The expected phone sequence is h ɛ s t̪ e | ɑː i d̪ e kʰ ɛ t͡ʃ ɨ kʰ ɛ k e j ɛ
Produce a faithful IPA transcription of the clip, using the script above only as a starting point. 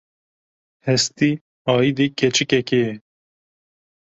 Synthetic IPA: h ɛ s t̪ i | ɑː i d̪ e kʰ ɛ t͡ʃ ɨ k ɛ k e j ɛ

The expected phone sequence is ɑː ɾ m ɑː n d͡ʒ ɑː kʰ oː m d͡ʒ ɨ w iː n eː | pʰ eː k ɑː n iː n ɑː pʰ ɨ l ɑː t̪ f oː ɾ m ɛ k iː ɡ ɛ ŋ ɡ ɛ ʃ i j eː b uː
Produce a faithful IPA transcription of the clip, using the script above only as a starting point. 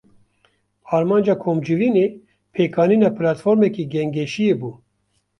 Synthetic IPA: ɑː ɾ m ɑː n d͡ʒ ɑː kʰ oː m d͡ʒ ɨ v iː n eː | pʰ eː k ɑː n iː n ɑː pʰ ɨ l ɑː t̪ f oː ɾ m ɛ k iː ɡ ɛ ŋ ɡ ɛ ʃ i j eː b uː

